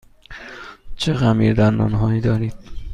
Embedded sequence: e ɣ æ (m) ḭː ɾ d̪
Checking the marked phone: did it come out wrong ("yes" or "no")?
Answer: no